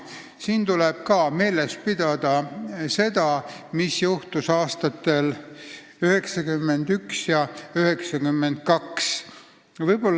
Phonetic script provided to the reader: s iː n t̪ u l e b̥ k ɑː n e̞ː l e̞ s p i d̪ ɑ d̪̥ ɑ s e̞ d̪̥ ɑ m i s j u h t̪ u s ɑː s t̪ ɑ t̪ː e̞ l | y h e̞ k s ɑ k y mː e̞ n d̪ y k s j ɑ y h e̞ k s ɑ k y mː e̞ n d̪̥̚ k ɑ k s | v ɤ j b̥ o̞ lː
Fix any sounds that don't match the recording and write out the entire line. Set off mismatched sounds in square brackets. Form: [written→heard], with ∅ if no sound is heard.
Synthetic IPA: s iː n t̪ u l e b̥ k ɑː [n→m] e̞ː l e̞ s p i d̪ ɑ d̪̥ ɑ s e̞ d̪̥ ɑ m i s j u h t̪ u s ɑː s t̪ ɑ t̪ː e̞ l | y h e̞ k s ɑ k y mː e̞ n d̪ y k s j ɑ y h e̞ k s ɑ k y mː e̞ n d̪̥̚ k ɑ k s | v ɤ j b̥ o̞ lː